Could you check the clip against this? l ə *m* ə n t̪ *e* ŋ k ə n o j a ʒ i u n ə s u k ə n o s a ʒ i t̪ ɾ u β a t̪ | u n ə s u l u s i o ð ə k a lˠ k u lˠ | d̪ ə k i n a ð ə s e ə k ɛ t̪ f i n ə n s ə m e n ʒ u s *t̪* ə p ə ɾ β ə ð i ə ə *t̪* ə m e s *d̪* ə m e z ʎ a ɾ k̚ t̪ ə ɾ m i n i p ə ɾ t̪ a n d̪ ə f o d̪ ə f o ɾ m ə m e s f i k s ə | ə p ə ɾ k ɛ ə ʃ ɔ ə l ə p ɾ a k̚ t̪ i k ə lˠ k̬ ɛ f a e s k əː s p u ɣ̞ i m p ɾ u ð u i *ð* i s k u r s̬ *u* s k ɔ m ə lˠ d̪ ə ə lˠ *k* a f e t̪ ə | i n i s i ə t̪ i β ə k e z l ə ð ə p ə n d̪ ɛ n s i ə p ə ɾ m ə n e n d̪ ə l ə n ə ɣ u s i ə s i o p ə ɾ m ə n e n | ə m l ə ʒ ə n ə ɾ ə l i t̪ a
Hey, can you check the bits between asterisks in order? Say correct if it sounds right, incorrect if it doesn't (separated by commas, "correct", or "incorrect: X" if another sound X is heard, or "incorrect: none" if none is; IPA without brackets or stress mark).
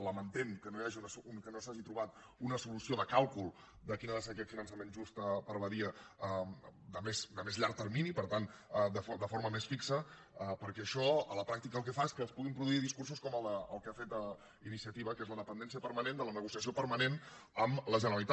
correct, correct, correct, incorrect: d̪, correct, correct, correct, correct